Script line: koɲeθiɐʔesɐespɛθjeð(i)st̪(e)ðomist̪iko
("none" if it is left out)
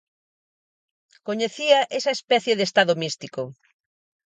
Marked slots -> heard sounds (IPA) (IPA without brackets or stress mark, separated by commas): e, a